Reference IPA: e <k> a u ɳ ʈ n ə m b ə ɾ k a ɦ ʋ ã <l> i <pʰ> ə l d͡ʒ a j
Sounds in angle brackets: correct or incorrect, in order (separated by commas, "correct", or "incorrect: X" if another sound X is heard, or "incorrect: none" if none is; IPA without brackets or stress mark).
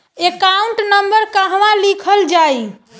correct, correct, incorrect: kʰ